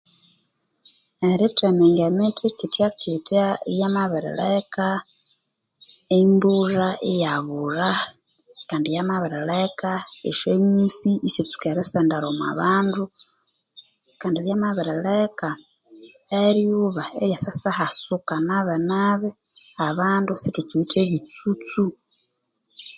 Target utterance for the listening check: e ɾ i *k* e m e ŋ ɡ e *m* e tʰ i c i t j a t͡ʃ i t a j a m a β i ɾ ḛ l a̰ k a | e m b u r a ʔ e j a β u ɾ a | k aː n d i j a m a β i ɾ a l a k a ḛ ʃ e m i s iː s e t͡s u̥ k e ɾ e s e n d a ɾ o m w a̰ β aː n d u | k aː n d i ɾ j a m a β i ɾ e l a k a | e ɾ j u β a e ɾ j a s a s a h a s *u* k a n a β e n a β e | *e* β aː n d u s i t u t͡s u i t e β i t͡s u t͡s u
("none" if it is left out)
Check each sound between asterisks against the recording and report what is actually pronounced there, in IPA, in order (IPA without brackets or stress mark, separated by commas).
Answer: t, m, u, a